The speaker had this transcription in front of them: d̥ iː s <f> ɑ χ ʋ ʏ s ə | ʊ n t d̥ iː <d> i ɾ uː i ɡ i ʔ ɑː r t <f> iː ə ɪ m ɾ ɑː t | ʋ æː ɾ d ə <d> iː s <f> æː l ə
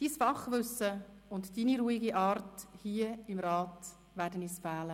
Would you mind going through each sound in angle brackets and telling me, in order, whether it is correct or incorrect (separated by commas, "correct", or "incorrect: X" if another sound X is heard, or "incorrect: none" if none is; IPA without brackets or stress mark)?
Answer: correct, incorrect: n, incorrect: h, incorrect: n, correct